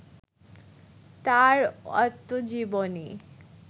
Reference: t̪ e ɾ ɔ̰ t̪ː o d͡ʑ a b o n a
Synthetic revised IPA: t̪ a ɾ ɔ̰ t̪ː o d͡ʑ i b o n i